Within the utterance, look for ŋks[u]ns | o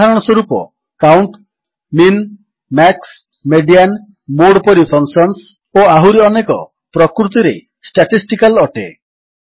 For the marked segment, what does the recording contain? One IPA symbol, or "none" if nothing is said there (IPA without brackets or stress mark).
ɔ